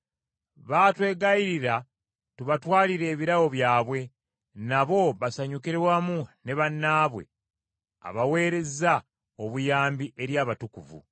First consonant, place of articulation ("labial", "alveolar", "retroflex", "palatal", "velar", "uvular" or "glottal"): labial